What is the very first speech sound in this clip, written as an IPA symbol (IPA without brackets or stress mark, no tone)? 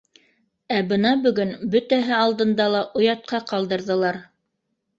æ